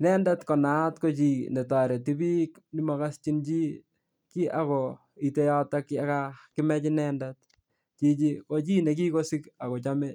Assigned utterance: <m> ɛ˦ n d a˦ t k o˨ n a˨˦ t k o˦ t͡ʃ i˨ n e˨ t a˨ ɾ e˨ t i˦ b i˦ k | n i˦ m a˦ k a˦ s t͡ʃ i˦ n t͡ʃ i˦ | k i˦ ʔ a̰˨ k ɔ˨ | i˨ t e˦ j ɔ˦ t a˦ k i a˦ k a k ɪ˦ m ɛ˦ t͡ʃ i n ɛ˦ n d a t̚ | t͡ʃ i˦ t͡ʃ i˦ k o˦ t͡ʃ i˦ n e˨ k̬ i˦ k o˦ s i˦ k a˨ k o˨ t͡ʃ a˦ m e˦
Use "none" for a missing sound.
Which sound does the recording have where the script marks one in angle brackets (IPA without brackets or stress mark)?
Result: n